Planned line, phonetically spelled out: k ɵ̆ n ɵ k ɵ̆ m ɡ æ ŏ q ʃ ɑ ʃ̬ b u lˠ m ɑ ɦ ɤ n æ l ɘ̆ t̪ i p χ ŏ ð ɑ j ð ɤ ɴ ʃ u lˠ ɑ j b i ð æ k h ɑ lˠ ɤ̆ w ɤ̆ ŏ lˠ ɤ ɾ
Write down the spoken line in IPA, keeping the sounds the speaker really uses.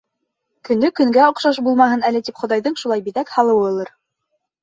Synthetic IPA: k ɵ̆ n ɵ k ɵ̆ ŋ ɡ æ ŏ q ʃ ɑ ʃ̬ b u lˠ m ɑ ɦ ɤ n æ l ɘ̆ t̪ i p χ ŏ ð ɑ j ð ɤ ɴ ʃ u lˠ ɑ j b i ð æ k h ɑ lˠ ɤ̆ w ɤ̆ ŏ lˠ ɤ ɾ